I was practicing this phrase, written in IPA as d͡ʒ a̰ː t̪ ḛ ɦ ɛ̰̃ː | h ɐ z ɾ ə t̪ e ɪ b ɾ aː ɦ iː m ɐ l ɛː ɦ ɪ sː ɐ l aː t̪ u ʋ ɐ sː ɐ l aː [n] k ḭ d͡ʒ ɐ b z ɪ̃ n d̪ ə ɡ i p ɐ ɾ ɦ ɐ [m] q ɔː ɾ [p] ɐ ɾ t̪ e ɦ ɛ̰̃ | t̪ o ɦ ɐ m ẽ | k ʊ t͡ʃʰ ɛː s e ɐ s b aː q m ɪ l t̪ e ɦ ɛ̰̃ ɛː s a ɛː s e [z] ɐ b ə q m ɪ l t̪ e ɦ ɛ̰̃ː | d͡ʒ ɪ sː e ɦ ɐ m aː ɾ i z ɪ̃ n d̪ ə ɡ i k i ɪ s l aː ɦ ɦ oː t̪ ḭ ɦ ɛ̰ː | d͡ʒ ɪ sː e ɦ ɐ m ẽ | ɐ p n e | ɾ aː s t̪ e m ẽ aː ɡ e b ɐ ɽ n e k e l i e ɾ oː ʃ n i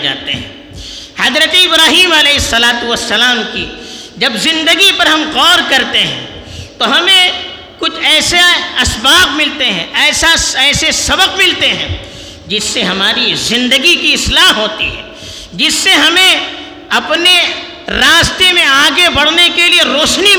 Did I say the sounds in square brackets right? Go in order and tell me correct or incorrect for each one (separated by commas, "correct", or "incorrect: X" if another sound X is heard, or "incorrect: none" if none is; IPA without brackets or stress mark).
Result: incorrect: m, correct, incorrect: k, incorrect: s